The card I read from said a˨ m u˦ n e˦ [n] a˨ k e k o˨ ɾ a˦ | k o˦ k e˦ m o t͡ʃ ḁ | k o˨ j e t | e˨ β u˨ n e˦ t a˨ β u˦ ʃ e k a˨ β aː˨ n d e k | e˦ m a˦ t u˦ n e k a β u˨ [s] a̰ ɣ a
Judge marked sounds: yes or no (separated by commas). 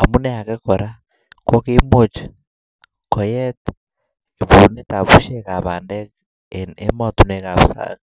no, yes